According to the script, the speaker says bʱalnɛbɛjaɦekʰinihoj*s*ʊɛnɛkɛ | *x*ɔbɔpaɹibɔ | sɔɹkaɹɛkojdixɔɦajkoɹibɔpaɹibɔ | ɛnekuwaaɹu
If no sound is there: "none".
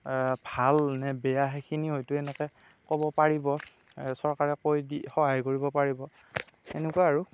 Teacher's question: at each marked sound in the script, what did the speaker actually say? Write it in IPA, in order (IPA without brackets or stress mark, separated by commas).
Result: t, k